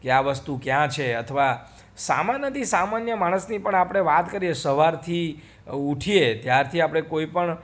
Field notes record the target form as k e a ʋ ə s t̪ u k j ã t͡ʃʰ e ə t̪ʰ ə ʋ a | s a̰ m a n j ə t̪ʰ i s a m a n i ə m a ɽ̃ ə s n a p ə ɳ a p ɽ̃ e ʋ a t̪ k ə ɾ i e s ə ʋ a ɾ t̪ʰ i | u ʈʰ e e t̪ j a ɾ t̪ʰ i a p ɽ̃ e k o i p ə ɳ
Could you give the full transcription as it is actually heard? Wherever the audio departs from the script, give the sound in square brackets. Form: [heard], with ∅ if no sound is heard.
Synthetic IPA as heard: k e a ʋ ə s t̪ u k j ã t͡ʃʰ e ə t̪ʰ ə ʋ a | s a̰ m a n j ə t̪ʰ i s a m a n [j] ə m a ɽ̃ ə s n [i] p ə ɳ a p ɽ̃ e ʋ a t̪ k ə ɾ i e s ə ʋ a ɾ t̪ʰ i | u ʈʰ [i] e t̪ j a ɾ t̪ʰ i a p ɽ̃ e k o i p ə ɳ